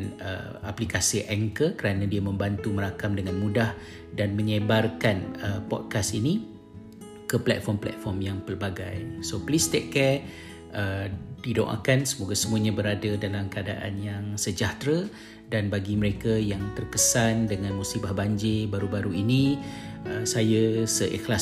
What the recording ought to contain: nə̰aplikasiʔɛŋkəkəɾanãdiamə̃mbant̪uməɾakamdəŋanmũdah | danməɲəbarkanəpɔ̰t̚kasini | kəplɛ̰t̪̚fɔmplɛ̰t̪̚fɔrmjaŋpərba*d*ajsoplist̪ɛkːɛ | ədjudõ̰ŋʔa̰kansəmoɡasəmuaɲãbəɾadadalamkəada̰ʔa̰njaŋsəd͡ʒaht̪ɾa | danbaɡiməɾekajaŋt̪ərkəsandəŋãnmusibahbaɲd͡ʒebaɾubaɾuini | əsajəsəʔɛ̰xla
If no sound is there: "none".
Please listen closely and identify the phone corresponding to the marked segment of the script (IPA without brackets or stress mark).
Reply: ɡ